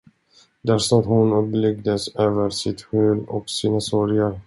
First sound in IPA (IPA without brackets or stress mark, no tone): d̪